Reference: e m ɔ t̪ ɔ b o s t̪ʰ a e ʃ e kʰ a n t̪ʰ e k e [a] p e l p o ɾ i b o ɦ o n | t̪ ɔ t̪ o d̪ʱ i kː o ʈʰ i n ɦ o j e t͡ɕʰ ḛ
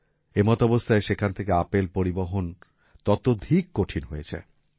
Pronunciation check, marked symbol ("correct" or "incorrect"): correct